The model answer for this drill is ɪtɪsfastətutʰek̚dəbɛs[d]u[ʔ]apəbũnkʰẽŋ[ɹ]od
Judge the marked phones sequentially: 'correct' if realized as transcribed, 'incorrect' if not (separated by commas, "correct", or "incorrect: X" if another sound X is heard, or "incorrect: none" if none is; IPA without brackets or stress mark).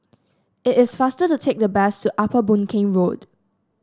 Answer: incorrect: t, correct, correct